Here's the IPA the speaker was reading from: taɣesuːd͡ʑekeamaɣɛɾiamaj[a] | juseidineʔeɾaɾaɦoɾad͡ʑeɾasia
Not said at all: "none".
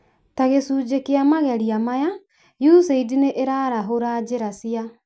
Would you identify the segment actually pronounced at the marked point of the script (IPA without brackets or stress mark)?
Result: a